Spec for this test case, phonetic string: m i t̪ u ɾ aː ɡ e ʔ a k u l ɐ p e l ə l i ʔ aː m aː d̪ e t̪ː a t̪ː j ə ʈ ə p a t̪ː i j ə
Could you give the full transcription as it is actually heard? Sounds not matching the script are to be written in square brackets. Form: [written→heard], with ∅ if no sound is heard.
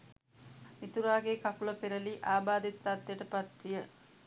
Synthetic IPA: m i t̪ u ɾ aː ɡ e [ʔ→k] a k u l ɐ p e [l→ɾ] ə l i ʔ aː [m→b] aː d̪ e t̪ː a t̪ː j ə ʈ ə p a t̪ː i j ə